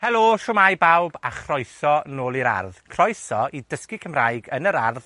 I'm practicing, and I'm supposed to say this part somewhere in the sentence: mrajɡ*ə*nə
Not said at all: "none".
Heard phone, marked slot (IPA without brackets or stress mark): ə